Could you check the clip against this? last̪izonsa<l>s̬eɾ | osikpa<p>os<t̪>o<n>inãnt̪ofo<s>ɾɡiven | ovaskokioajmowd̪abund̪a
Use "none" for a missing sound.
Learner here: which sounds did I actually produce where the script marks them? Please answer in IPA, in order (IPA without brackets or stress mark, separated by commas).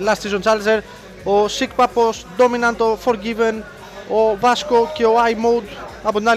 l, p, d̪, m, none